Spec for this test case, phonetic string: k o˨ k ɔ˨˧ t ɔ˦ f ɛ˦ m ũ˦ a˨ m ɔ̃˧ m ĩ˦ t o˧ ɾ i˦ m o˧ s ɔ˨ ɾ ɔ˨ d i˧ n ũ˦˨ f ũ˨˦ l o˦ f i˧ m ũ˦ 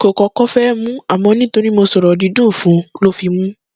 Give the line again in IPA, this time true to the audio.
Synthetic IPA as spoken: k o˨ k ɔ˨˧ k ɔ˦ f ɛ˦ m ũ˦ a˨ m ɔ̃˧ n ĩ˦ t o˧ ɾ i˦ m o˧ s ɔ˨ ɾ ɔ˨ d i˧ d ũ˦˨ f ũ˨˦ l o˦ f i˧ m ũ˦